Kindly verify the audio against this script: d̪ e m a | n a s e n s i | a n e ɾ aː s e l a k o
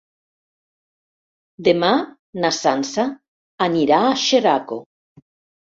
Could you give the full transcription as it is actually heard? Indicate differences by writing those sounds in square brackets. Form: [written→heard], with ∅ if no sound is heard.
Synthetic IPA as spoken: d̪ e m a | n a s [e→a] n s [i→a] | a n [e→i] ɾ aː [s→ʃ] e [l→ɾ] a k o

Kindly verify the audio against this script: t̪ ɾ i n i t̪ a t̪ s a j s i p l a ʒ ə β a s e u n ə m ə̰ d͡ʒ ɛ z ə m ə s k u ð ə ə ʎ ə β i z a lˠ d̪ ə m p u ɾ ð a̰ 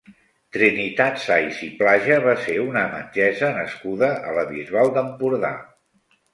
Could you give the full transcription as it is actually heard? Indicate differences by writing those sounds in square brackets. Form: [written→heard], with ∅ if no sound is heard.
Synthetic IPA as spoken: t̪ ɾ i n i t̪ a t̪ s a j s i p l a ʒ ə β a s e u n ə m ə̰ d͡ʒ ɛ z ə [m→n] ə s k u ð ə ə [ʎ→l] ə β i z a lˠ d̪ ə m p u ɾ ð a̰

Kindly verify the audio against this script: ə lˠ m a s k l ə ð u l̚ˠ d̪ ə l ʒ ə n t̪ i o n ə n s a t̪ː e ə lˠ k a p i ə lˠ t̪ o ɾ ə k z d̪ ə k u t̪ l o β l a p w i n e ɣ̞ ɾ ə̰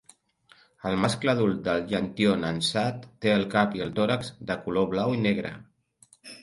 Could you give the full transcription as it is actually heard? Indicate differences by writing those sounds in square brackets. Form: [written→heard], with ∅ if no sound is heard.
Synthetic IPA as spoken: ə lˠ m a s k l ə ð u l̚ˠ d̪ ə l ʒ ə n t̪ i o n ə n s a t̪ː e ə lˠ k a p i ə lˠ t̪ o ɾ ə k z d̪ ə k u [t̪→∅] l o β l a [p→∅] w i n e ɣ̞ ɾ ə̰

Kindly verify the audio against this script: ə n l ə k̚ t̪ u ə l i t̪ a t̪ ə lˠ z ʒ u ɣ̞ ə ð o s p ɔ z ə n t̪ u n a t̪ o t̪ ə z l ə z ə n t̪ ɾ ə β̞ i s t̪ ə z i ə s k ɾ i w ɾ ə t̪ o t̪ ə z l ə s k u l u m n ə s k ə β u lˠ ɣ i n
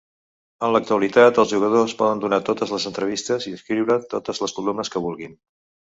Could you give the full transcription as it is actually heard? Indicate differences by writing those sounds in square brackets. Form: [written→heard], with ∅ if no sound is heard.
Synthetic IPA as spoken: ə n l ə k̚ t̪ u ə l i t̪ a t̪ ə lˠ z ʒ u ɣ̞ ə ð o s p ɔ [z→ð] ə n [t̪→d̪] u n a t̪ o t̪ ə z l ə z ə n t̪ ɾ ə β̞ i s t̪ ə z i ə s k ɾ i w ɾ ə t̪ o t̪ ə z l ə s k u l u m n ə s k ə β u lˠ ɣ i n

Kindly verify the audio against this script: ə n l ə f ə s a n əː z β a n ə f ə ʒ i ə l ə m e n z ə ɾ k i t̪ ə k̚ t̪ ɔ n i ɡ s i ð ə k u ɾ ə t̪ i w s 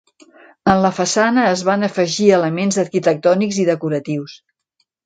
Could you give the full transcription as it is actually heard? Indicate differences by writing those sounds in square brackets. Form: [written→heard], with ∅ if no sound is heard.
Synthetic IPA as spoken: ə n l ə f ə s a n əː z β a n ə f ə ʒ i ə l ə m e n z ə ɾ k i t̪ ə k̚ t̪ ɔ n i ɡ [s→z] i ð ə k u ɾ ə t̪ i w s

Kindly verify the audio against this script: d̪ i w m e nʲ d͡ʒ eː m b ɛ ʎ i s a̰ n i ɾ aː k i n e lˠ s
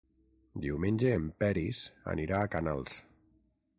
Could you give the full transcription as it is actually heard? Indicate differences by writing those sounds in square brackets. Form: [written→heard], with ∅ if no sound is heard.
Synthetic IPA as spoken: d̪ i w m e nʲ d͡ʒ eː m [b→p] ɛ [ʎ→ɾ] i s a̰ n i ɾ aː k [i→a] n [e→a] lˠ s

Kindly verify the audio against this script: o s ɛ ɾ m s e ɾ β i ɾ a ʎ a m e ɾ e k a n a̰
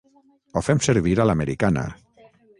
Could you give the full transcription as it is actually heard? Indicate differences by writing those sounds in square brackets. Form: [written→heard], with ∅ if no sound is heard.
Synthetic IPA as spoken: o [s→f] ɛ [ɾ→∅] m s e ɾ β i ɾ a [ʎ→l] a m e ɾ [e→i] k a n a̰

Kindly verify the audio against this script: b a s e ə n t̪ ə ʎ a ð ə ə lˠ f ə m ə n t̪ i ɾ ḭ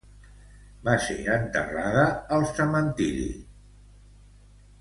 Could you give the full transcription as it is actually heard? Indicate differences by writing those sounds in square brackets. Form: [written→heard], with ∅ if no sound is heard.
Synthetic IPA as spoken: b a s e ə n t̪ ə [ʎ→r] a ð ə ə lˠ [f→s] ə m ə n t̪ i ɾ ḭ

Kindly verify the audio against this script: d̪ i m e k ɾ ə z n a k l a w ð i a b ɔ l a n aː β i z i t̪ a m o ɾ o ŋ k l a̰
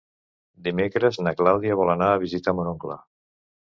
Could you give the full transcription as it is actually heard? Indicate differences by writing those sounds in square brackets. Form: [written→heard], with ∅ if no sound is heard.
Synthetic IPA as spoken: d̪ i m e k ɾ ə z n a k l a w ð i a [b→β] ɔ l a n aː β i z i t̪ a m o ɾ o ŋ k l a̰

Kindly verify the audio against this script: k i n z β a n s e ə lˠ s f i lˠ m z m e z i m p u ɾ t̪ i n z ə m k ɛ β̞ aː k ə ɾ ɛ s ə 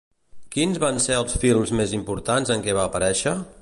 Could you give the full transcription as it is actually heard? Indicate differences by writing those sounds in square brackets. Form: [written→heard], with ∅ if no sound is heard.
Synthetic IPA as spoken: k i n z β a n s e ə lˠ s f i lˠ m z m e z i m p u ɾ t̪ [i→a] n z ə [m→ŋ] k ɛ β̞ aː [k→p] ə ɾ ɛ [s→ʃ] ə

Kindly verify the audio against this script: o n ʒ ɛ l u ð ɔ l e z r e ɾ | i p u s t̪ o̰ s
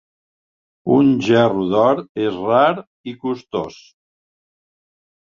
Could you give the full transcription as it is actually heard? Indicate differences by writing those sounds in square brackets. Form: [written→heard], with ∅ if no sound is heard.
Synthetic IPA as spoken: [o→u] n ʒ ɛ [l→r] u ð ɔ [l→ɾ] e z r [e→a] ɾ | i [p→k] u s t̪ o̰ s

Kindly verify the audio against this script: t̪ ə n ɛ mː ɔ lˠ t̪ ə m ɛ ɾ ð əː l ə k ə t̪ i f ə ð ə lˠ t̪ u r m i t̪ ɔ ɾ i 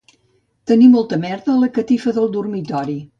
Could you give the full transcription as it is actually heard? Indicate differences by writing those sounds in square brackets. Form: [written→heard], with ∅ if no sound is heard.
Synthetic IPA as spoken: t̪ ə n [ɛ→i] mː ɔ lˠ t̪ ə m ɛ ɾ ð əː l ə k ə t̪ i f ə ð ə lˠ [t̪→d̪] u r m i t̪ ɔ ɾ i

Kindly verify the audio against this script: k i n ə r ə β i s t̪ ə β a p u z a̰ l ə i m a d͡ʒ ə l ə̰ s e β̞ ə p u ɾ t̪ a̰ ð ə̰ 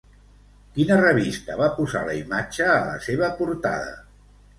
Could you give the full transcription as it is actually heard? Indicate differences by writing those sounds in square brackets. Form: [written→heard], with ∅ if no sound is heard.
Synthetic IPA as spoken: k i n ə r ə β i s t̪ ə β a p u z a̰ l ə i m a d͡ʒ [ə→əː] l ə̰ s e β̞ ə p u ɾ t̪ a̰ ð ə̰

